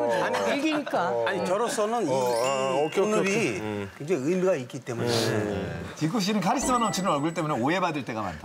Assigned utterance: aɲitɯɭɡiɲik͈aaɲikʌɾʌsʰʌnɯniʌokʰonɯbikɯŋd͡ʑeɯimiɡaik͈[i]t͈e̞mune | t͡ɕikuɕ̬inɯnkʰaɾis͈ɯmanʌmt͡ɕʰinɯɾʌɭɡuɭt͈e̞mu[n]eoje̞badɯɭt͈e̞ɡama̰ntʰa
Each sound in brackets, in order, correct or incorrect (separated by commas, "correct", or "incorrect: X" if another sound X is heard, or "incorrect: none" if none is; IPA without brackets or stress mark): correct, correct